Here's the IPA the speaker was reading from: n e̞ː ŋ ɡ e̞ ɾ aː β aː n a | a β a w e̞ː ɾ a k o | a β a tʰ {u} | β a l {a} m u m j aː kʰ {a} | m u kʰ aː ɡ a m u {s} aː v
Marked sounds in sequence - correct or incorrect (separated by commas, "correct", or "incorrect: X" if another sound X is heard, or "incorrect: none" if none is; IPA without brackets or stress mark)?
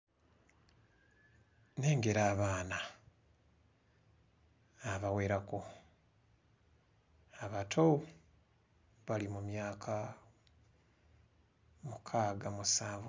incorrect: o, incorrect: i, correct, correct